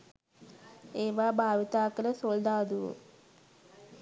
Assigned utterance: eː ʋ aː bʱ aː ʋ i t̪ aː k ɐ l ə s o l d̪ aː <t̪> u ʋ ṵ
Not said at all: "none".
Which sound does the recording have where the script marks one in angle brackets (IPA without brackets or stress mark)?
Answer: d̪